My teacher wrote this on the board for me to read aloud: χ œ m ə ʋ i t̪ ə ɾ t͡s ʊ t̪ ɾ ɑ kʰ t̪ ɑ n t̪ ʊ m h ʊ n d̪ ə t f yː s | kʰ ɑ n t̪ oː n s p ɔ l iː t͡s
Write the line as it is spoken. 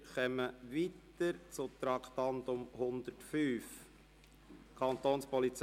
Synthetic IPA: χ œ m ə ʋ i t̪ ə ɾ t͡s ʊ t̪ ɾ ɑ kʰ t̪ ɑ n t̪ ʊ m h ʊ n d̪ ə t f yː f | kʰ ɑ n t̪ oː n s p ɔ l i t͡s